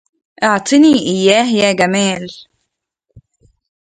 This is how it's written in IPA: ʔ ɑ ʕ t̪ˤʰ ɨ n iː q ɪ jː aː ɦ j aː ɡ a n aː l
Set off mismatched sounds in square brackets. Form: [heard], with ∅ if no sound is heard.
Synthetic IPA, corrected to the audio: ʔ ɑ ʕ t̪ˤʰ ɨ n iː [ʔ] ɪ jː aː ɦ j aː ɡ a [m] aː l